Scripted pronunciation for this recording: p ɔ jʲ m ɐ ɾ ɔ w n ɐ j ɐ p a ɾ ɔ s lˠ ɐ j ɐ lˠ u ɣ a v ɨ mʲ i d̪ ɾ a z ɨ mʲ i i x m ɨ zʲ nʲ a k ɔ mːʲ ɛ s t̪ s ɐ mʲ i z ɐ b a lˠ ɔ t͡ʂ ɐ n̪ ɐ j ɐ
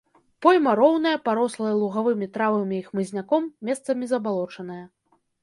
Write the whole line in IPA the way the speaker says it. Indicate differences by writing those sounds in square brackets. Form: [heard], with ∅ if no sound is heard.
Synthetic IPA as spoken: p ɔ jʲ m ɐ ɾ ɔ w n ɐ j ɐ p a ɾ ɔ s lˠ ɐ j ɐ lˠ u ɣ a v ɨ mʲ i [t̪] ɾ a [v] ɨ mʲ i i x m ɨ zʲ nʲ a k ɔ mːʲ ɛ s t̪ s ɐ mʲ i z ɐ b a lˠ ɔ t͡ʂ ɐ n̪ ɐ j ɐ